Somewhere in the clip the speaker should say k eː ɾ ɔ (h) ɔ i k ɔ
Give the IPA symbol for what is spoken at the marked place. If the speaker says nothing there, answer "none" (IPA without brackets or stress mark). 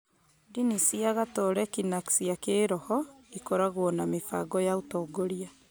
h